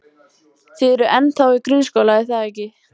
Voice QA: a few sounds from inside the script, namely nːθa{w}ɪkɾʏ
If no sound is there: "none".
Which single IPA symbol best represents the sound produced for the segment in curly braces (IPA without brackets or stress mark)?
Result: w